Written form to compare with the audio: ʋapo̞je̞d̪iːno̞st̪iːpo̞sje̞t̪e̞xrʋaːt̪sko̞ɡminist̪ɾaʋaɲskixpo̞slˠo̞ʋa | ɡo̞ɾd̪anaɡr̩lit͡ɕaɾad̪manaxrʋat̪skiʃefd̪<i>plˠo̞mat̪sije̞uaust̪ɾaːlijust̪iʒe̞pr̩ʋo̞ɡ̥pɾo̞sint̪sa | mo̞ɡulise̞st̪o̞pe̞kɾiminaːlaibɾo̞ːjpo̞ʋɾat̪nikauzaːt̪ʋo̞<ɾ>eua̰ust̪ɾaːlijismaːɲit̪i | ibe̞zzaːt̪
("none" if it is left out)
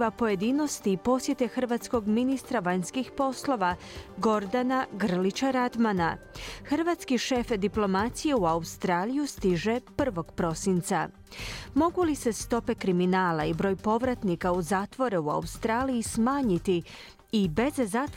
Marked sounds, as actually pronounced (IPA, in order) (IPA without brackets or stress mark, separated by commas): i, ɾ